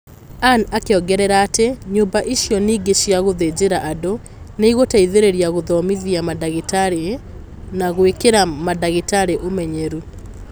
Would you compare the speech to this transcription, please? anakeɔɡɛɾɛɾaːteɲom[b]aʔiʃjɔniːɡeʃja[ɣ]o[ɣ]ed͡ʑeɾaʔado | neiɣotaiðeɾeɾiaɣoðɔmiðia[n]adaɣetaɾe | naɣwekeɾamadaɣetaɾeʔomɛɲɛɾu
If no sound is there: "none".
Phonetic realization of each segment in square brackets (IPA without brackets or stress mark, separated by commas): b, ɣ, ð, m